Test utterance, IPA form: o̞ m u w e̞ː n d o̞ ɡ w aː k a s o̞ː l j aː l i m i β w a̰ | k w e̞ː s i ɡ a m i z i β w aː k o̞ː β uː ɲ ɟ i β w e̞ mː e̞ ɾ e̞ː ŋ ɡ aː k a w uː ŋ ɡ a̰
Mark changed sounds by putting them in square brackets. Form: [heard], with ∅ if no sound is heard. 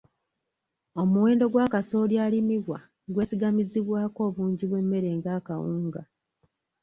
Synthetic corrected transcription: o̞ m u w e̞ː n d o̞ ɡ w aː k a s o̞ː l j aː l i m i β w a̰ | [ɡ] w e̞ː s i ɡ a m i z i β w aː k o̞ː β uː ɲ ɟ i β w e̞ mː e̞ ɾ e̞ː ŋ ɡ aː k a w uː ŋ ɡ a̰